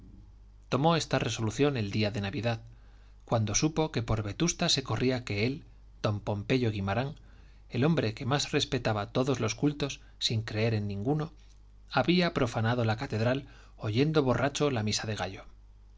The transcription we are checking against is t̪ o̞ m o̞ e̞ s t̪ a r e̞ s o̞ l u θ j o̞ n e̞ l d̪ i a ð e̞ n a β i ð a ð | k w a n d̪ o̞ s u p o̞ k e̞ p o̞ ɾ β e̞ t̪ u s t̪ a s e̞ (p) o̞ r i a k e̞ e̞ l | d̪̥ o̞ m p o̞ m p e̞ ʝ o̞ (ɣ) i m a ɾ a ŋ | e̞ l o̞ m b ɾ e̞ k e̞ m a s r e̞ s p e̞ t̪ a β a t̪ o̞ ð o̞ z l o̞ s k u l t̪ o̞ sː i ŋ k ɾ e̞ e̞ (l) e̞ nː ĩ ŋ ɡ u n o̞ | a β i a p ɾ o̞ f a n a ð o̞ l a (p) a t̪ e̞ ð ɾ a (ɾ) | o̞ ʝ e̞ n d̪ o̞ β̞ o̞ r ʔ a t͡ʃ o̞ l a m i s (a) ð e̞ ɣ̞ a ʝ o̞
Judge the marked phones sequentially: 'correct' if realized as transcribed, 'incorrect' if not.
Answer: incorrect: k, correct, incorrect: ɾ, incorrect: k, incorrect: l, correct

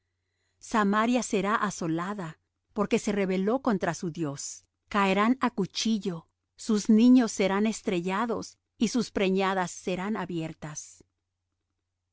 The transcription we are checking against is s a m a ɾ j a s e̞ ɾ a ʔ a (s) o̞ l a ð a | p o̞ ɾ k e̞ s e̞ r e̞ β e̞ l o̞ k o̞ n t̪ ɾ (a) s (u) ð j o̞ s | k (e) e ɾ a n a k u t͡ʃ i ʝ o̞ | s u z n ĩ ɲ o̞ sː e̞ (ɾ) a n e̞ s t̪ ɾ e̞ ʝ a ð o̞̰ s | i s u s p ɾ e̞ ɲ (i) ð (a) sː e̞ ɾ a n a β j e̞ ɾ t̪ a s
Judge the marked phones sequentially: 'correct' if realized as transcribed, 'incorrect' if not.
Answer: correct, correct, correct, incorrect: a, correct, incorrect: a, correct

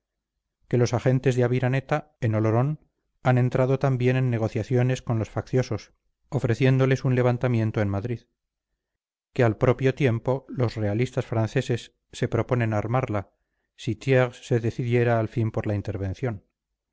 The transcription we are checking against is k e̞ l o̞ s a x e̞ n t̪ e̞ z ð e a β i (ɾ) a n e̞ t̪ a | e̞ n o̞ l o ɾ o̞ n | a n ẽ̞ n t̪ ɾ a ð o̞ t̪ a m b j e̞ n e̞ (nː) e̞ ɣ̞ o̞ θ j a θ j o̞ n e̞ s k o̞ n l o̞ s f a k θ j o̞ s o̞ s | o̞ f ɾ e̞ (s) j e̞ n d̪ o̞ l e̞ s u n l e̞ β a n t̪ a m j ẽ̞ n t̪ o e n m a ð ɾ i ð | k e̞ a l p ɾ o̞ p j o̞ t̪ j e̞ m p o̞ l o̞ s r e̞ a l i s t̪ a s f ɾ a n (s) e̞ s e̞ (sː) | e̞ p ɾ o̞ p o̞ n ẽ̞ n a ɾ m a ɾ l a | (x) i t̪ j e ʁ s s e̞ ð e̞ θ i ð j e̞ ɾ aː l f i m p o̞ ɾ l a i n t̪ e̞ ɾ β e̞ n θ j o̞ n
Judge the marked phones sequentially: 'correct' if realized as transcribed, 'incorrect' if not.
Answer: correct, correct, incorrect: θ, incorrect: θ, correct, incorrect: s

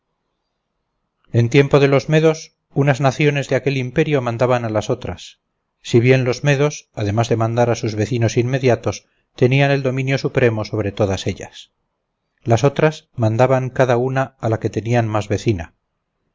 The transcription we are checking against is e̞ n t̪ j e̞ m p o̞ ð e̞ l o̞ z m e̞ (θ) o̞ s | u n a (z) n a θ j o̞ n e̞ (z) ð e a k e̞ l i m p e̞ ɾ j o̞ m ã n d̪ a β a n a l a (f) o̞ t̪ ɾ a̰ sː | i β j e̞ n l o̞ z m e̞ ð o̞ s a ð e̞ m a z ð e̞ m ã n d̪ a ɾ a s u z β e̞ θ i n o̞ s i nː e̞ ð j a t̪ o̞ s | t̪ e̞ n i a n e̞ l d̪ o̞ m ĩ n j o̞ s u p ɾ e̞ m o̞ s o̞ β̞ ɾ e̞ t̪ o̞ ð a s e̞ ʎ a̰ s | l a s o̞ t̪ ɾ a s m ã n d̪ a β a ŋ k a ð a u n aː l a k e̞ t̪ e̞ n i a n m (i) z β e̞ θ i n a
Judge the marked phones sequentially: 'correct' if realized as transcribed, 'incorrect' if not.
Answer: incorrect: ð, correct, correct, incorrect: s, incorrect: a

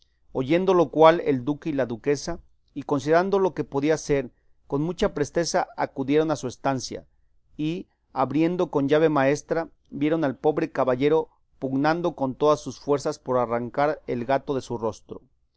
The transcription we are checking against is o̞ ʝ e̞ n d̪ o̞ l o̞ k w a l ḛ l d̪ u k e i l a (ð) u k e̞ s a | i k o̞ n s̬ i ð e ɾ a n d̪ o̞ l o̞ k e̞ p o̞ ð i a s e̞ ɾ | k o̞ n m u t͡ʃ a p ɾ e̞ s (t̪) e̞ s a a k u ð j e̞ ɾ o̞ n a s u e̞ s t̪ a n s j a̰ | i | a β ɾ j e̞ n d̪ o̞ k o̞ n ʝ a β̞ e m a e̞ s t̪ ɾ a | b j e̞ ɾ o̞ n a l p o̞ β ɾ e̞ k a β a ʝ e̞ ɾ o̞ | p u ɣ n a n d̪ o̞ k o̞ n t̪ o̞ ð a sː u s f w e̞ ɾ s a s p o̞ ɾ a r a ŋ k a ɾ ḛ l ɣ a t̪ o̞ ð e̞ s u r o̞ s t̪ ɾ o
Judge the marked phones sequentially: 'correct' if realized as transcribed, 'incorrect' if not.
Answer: correct, correct

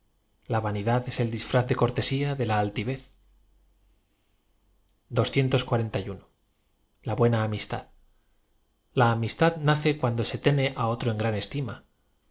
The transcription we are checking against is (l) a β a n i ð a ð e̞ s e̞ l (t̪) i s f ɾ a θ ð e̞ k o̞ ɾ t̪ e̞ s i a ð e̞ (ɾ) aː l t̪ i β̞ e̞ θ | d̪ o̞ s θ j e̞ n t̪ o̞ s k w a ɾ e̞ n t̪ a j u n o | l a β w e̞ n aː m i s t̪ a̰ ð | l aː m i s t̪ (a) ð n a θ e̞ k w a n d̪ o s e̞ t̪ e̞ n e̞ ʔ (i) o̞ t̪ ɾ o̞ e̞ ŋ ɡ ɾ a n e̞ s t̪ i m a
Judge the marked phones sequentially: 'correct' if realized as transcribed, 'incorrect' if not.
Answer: correct, incorrect: d̪, incorrect: l, correct, incorrect: a

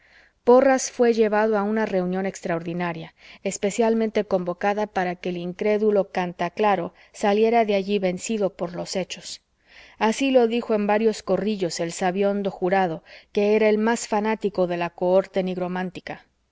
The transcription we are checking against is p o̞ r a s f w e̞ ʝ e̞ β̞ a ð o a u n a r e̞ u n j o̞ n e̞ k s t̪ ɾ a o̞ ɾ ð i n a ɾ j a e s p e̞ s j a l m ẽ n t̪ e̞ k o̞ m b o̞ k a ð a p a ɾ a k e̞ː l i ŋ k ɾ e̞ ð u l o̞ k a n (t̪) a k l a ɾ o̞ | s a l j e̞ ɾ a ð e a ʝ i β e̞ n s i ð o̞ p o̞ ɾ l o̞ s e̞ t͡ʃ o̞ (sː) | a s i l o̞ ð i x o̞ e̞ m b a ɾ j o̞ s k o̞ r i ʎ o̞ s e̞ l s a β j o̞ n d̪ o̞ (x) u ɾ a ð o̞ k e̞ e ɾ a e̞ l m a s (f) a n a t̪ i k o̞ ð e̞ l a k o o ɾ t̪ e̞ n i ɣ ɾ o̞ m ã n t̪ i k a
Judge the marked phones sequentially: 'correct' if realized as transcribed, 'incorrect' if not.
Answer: correct, incorrect: s, correct, correct

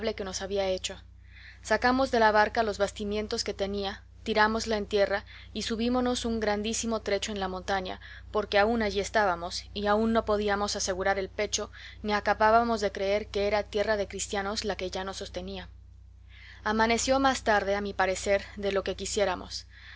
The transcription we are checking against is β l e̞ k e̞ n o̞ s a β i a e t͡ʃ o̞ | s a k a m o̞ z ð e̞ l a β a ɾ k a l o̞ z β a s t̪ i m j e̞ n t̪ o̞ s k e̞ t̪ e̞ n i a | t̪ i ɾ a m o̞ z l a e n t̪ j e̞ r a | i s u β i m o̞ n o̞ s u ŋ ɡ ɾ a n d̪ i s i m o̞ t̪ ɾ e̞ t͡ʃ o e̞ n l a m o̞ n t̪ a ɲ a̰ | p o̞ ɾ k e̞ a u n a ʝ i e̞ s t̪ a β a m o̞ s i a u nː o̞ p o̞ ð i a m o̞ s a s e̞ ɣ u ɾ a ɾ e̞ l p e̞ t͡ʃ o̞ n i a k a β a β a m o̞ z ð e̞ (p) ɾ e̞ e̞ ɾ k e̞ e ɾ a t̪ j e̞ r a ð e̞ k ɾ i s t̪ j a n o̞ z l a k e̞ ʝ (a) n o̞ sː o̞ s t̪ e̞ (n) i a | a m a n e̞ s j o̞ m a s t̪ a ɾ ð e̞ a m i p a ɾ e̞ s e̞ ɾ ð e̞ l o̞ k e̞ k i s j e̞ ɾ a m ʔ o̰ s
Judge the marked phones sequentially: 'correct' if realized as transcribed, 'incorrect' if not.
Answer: incorrect: k, correct, correct

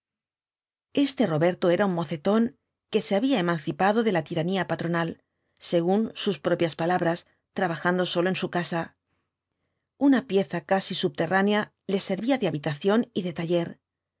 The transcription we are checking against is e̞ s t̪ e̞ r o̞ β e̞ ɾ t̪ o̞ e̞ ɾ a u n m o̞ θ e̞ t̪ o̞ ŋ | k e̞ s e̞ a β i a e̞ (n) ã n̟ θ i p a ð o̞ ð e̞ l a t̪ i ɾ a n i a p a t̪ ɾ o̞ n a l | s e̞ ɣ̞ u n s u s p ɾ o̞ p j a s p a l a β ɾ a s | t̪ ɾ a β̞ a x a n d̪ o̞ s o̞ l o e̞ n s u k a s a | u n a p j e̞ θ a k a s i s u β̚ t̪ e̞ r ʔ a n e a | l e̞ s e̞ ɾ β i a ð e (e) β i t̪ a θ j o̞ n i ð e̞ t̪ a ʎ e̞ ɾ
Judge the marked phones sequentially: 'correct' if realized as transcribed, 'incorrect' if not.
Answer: incorrect: m, incorrect: a

